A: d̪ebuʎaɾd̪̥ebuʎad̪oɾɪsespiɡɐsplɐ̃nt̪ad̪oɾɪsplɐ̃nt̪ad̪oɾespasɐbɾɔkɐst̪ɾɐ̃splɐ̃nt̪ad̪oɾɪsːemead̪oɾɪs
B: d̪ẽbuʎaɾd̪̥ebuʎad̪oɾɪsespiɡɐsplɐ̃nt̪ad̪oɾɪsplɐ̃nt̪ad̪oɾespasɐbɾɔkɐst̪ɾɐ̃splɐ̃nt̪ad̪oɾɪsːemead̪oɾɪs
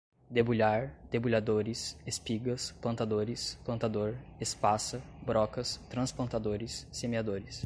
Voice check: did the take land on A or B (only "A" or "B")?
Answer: A